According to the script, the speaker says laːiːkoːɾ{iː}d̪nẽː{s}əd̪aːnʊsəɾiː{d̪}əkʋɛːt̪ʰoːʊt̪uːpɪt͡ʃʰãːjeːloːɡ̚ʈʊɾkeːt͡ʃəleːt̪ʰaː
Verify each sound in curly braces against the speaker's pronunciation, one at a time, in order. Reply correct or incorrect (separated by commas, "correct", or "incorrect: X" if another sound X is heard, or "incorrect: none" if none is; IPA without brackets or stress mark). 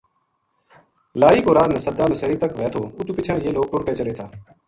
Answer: incorrect: aː, correct, incorrect: t̪